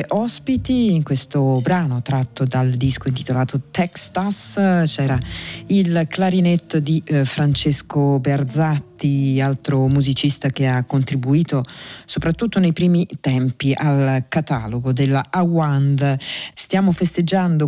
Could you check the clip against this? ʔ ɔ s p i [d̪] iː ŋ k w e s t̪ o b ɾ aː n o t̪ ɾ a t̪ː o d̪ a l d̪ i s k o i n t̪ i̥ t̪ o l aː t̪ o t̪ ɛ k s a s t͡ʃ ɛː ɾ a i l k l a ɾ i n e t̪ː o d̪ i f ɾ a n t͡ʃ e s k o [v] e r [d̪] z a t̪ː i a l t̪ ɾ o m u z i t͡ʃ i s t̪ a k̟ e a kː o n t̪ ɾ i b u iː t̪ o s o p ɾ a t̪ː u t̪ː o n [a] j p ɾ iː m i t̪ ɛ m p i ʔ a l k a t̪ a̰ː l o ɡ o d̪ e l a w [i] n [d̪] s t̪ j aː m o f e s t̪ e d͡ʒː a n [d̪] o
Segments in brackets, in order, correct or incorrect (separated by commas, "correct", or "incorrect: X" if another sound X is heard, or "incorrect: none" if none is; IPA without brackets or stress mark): incorrect: t̪, incorrect: b, correct, incorrect: e, incorrect: a, correct, correct